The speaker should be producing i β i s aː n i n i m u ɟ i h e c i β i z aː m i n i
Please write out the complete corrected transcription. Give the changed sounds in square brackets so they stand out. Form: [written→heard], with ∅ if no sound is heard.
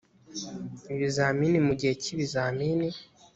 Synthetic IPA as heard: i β i [s→z] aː [n→m] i n i m u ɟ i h e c i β i z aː m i n i